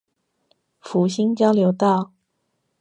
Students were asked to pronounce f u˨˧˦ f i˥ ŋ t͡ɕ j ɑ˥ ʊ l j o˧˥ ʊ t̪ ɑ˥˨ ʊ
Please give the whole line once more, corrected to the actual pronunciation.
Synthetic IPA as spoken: f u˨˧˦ ɕ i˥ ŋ t͡ɕ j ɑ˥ ʊ l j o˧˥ ʊ t̪ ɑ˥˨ ʊ